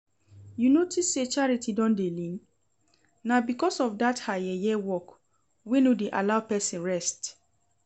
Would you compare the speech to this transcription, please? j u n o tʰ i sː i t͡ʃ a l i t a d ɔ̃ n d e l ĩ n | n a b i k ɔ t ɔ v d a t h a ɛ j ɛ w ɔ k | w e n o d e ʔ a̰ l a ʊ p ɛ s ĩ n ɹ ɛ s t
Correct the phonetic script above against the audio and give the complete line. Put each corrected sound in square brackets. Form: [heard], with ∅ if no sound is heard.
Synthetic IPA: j u n o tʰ i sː [e] t͡ʃ a [ɹ] i t [i] d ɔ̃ n d e l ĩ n | n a b i k ɔ [s] ɔ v d a t h a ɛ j ɛ w ɔ k | w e n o d e ʔ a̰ l a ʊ p ɛ s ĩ n ɹ ɛ s t